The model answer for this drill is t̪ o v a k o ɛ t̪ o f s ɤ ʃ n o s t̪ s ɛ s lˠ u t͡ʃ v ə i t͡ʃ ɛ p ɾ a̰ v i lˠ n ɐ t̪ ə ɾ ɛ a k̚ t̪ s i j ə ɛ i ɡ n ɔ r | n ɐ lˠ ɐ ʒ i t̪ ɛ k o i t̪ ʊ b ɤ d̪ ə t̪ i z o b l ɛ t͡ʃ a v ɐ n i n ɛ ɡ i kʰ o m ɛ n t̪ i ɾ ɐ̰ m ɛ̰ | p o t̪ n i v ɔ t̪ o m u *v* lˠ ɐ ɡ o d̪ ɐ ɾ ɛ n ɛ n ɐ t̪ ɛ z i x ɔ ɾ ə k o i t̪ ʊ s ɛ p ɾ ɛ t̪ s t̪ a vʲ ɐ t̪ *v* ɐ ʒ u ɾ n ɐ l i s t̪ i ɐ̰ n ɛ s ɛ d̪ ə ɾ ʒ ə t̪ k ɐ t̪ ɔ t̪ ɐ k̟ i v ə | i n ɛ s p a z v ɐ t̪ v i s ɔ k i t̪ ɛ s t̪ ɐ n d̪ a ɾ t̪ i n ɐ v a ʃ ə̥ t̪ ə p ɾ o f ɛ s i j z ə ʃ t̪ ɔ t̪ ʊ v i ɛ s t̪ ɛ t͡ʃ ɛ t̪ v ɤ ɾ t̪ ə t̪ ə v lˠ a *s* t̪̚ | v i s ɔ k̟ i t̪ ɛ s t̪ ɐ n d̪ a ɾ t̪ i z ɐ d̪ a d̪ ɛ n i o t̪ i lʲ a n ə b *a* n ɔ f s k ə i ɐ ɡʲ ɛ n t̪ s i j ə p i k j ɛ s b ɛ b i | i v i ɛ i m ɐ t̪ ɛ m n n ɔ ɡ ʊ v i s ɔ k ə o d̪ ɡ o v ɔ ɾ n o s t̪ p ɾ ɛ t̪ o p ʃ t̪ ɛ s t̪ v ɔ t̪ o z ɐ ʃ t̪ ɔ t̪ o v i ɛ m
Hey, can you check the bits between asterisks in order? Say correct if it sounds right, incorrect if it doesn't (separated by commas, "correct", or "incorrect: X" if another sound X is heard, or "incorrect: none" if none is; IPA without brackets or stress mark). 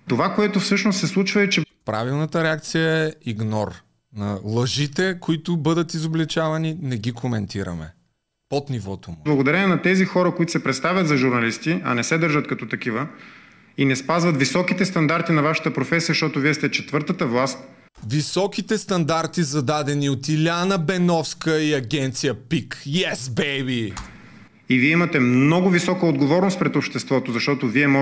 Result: incorrect: b, incorrect: z, correct, incorrect: ɛ